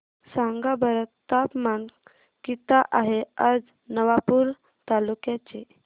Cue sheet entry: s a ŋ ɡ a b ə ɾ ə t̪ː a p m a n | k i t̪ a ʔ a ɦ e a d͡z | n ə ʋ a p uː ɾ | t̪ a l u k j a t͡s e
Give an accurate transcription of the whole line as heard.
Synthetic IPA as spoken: s a ŋ ɡ a b ə ɾ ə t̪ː a p m a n | k i t̪ a ʔ a ɦ e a d͡z | n ə ʋ a p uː ɾ | t̪ a l u k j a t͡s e